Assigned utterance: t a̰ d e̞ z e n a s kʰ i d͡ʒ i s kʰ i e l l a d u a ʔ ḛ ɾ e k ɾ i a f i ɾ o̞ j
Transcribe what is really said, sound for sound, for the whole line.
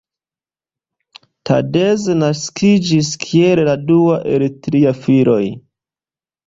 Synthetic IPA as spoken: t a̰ d e̞ z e n a s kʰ i d͡ʒ i s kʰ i e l l a d u a ʔ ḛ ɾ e t ɾ i a f i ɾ o̞ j